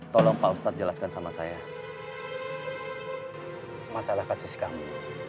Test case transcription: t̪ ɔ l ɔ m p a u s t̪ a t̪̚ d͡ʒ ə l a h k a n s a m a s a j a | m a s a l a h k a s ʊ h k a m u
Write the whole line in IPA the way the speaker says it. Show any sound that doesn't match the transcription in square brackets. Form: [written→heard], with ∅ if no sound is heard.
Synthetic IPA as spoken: t̪ ɔ l ɔ [m→ŋ] p a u s t̪ a t̪̚ d͡ʒ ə l a [h→s] k a n s a m a s a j a | m a s a l a h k a s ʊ [h→s] k a m u